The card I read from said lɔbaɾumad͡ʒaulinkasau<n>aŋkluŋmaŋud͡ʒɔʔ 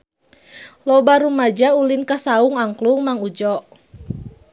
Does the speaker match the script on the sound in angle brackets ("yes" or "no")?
no